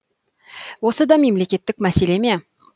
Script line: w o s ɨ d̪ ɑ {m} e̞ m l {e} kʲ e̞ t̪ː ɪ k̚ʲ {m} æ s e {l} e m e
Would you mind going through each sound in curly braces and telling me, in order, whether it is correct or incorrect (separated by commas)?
correct, correct, correct, correct